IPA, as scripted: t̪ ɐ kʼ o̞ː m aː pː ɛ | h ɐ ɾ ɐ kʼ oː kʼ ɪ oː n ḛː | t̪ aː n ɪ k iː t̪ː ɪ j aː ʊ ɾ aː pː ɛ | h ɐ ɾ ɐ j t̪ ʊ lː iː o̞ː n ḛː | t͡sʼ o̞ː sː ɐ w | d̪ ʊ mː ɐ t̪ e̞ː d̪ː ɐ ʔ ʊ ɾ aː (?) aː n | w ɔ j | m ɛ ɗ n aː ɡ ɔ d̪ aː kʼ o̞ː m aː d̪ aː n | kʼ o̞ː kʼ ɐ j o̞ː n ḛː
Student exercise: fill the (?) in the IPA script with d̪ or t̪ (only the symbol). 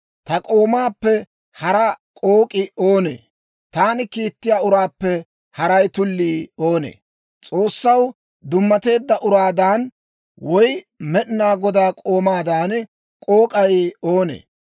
d̪